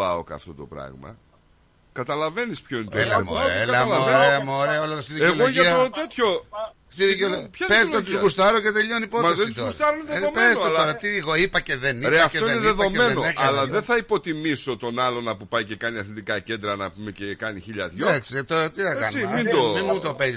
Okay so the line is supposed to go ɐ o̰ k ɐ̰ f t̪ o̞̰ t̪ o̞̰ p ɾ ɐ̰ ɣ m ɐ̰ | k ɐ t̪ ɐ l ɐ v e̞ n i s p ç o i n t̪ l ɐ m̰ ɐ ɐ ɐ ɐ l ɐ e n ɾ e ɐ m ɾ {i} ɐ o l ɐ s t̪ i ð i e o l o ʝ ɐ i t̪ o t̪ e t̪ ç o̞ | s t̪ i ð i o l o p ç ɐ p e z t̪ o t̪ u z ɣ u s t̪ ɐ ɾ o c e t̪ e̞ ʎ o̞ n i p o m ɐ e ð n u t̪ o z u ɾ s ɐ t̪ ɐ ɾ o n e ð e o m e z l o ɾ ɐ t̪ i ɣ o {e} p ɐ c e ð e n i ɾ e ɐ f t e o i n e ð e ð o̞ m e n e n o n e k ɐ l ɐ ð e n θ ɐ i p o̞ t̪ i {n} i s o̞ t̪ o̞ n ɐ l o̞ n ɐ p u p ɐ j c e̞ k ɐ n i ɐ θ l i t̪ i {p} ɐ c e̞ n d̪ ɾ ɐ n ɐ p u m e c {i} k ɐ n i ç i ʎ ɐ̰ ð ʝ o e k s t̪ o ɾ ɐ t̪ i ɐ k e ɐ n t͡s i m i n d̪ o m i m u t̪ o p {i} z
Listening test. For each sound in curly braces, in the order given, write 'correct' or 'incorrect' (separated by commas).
incorrect, incorrect, incorrect, incorrect, incorrect, incorrect